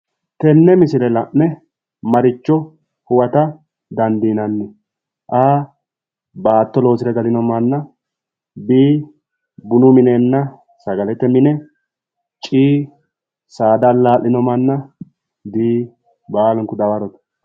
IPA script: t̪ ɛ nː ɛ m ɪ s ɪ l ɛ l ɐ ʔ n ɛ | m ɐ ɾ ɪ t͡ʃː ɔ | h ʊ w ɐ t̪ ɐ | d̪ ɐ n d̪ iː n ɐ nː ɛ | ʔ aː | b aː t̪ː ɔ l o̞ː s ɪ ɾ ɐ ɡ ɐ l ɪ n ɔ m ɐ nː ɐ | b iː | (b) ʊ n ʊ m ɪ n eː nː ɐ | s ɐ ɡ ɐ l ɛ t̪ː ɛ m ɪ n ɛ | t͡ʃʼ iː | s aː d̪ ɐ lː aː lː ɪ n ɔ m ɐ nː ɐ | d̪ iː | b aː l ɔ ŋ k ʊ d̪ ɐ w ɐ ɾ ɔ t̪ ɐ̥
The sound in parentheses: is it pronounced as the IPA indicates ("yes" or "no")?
yes